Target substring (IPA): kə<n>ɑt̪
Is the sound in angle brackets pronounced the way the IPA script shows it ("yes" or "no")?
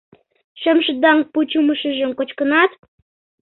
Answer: yes